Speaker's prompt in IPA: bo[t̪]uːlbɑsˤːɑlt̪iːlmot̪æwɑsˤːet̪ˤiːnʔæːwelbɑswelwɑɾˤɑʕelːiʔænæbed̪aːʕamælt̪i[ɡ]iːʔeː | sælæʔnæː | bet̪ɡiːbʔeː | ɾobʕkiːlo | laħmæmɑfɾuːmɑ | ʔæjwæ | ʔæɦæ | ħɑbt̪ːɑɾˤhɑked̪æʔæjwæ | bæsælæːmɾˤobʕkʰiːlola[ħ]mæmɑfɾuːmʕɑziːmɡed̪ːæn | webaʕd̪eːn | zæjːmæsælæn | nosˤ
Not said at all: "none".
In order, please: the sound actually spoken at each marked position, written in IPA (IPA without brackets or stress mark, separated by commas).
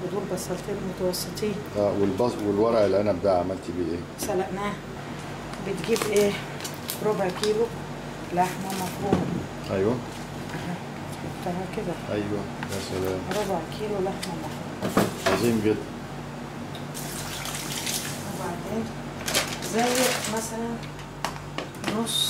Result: d̪, b, ħ